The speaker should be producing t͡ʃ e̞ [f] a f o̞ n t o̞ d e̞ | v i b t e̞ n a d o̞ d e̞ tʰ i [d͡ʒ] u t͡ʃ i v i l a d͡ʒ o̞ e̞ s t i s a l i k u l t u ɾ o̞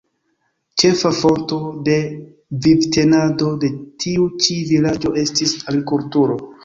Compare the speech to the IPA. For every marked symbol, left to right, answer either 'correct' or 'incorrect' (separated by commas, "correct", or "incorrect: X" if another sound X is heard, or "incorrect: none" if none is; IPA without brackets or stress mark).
correct, incorrect: none